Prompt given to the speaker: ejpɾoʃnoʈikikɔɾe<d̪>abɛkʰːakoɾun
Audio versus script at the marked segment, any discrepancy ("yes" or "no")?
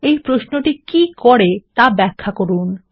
yes